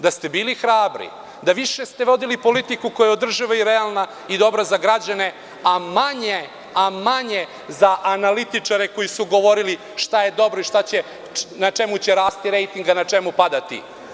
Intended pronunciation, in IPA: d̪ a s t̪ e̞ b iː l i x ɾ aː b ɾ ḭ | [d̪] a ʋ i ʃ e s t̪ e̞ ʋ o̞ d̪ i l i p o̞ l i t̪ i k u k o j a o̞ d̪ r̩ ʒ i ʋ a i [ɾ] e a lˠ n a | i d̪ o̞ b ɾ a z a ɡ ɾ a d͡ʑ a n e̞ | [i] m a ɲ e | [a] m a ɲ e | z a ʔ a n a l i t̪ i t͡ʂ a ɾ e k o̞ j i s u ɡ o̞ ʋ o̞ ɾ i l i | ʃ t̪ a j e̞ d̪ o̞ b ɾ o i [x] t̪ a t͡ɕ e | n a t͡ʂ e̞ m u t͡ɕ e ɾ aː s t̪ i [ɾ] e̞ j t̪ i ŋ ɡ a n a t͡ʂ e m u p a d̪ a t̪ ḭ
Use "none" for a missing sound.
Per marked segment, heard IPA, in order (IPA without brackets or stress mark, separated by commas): d̪, ɾ, a, a, ʃ, ɾ